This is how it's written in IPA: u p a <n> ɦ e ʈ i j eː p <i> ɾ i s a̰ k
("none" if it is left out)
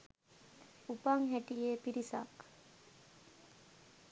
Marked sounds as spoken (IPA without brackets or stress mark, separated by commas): ŋ, i